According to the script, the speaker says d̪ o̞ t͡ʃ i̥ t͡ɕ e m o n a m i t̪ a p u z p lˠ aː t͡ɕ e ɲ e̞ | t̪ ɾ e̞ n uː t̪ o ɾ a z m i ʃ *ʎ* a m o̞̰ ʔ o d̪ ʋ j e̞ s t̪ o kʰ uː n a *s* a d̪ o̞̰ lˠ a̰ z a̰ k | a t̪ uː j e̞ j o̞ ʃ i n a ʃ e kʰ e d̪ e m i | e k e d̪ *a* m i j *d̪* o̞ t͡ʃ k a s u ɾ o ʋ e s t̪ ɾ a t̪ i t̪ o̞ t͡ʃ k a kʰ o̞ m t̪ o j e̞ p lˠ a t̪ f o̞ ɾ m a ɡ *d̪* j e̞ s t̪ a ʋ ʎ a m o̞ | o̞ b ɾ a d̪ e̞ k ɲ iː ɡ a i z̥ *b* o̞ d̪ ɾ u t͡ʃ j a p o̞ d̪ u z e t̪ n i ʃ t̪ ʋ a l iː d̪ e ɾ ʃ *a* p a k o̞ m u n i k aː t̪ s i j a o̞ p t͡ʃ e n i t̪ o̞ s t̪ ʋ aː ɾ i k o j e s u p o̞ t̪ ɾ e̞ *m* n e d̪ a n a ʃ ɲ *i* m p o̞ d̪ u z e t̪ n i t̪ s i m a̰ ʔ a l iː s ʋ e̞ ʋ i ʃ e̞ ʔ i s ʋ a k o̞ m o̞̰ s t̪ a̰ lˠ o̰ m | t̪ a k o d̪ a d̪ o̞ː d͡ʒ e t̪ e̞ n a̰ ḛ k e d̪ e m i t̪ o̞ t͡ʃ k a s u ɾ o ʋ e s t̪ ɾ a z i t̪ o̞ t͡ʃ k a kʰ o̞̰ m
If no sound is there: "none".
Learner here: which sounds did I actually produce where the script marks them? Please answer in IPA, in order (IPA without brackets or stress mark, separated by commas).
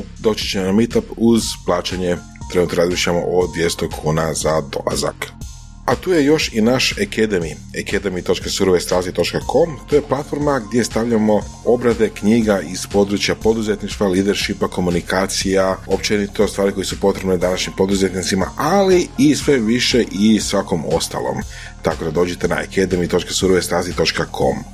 ʎ, z, e, t̪, d̪, p, i, b, i